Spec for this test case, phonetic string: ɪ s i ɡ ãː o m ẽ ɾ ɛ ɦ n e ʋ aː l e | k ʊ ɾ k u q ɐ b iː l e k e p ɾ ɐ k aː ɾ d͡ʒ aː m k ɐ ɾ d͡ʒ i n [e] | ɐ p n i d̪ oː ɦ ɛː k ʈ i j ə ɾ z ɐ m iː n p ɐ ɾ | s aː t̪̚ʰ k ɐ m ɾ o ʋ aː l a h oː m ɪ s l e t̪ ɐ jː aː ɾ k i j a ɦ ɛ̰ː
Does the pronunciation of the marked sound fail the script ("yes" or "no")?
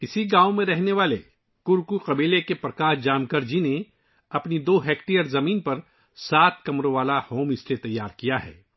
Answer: no